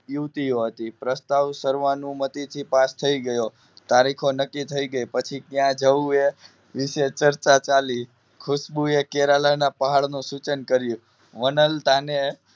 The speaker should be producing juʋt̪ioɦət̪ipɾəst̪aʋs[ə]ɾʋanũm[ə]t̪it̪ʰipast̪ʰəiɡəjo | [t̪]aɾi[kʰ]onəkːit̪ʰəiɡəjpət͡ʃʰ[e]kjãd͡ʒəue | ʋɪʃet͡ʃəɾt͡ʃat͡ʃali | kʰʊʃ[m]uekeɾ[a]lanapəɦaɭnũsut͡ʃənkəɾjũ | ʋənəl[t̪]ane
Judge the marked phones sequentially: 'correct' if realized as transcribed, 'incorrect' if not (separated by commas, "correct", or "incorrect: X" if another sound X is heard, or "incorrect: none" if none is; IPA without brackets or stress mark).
correct, correct, correct, correct, incorrect: i, incorrect: b, correct, correct